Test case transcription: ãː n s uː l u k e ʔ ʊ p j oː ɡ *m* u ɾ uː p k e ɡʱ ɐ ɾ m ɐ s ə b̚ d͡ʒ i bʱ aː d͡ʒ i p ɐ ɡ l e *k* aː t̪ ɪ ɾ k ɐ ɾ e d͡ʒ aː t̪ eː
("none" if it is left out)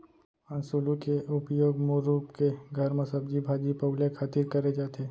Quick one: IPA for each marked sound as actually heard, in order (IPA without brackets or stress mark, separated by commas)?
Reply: m, kʰ